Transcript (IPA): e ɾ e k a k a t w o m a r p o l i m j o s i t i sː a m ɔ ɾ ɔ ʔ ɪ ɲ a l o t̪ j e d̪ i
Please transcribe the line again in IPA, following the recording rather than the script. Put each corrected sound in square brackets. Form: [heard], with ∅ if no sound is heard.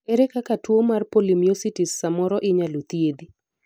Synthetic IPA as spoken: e ɾ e k a k a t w o m a r p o l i m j o s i t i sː a m ɔ ɾ ɔ ʔ ɪ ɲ a l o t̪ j e d̪ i